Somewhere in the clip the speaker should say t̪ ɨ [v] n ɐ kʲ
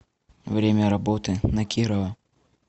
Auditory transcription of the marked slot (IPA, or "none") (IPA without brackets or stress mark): none